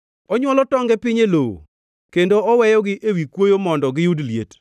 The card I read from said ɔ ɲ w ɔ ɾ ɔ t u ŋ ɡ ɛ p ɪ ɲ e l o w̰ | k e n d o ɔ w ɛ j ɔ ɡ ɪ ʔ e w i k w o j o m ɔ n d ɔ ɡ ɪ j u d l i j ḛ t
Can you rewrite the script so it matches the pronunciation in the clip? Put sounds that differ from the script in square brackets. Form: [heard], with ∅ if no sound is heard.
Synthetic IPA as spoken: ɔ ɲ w ɔ [l] ɔ t [ɔ] ŋ ɡ ɛ p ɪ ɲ e l o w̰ | k e n d o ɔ w ɛ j ɔ ɡ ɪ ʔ e w i k w o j o m ɔ n d ɔ ɡ ɪ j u d l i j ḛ t